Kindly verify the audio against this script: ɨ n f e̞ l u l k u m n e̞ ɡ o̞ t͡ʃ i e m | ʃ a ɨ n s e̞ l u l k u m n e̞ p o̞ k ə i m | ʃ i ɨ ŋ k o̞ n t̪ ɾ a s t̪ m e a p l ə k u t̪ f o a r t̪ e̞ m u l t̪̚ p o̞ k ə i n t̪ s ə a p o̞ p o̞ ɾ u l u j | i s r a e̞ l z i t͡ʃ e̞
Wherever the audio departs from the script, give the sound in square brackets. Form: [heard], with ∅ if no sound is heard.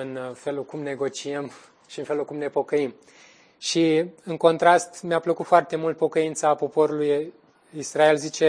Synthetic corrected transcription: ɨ n f e̞ l u l k u m n e̞ ɡ o̞ t͡ʃ i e m | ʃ [i] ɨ n [f] e̞ l u l k u m n e̞ p o̞ k ə i m | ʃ i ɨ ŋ k o̞ n t̪ ɾ a s t̪ m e a p l ə k u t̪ f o a r t̪ e̞ m u l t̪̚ p o̞ k ə i n t̪ s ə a p o̞ p o̞ ɾ u l u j | i s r a e̞ l z i t͡ʃ e̞